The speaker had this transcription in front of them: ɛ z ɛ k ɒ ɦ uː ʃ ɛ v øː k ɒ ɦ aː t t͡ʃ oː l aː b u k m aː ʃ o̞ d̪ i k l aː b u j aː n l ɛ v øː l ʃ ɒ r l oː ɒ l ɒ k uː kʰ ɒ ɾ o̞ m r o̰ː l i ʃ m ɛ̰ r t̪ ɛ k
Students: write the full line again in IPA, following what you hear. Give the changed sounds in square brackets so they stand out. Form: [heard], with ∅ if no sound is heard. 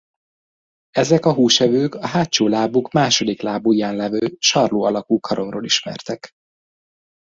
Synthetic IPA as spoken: ɛ z ɛ k ɒ ɦ uː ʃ ɛ v øː k ɒ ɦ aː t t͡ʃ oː l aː b u k m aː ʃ o̞ d̪ i k l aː b u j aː n l ɛ v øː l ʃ ɒ r l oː ɒ l ɒ k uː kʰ ɒ ɾ o̞ m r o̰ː l i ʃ m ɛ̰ r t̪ ɛ k